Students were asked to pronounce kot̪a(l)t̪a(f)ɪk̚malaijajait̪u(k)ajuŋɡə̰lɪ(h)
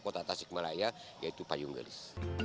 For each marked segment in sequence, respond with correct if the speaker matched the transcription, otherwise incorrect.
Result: incorrect, incorrect, incorrect, incorrect

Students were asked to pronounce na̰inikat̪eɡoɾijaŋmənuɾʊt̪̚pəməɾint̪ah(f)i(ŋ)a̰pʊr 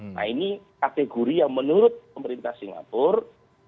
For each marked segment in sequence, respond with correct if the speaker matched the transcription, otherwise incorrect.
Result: incorrect, correct

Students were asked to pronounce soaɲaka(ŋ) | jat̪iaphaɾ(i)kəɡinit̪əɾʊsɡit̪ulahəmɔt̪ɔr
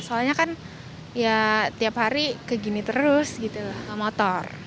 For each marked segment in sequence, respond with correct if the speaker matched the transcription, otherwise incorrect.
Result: incorrect, correct

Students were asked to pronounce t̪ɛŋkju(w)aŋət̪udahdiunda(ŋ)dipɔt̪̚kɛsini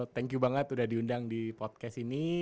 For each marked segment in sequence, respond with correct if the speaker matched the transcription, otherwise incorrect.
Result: incorrect, correct

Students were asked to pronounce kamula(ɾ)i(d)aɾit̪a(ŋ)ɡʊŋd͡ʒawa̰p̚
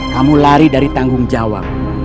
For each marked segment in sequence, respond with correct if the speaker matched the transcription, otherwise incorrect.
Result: correct, correct, correct

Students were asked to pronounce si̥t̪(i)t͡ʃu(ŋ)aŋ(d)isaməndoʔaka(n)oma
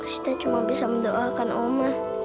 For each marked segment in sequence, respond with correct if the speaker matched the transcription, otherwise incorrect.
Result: incorrect, incorrect, incorrect, correct

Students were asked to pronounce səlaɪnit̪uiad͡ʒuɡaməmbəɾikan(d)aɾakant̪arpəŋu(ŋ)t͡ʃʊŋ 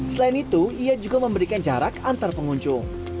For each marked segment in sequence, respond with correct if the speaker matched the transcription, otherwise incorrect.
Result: incorrect, incorrect

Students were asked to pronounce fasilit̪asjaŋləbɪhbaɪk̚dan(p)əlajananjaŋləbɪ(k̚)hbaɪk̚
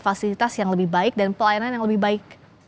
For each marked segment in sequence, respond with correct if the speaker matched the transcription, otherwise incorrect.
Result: correct, incorrect

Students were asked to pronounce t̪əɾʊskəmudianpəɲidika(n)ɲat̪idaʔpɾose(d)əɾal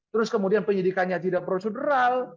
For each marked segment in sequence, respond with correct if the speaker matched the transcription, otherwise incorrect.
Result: correct, correct

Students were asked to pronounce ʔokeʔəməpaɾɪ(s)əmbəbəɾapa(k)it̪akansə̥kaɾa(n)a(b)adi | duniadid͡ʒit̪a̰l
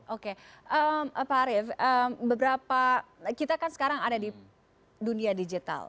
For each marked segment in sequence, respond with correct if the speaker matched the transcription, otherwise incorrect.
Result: incorrect, correct, incorrect, incorrect

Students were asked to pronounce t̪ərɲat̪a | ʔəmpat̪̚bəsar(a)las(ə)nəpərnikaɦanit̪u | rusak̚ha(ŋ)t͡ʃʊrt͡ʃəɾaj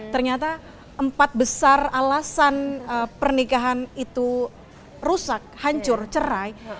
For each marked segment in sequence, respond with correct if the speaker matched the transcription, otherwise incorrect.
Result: correct, incorrect, incorrect

